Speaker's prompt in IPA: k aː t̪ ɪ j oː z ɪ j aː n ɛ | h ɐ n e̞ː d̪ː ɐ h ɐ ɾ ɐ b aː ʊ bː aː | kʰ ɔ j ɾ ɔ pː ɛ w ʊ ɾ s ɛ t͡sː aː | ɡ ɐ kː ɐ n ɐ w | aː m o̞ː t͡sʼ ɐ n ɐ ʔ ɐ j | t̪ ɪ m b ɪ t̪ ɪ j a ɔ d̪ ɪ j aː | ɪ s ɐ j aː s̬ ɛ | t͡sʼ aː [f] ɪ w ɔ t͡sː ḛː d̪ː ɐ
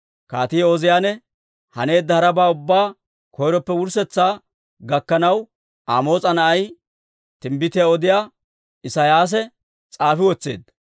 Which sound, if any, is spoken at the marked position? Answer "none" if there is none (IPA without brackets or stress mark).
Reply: f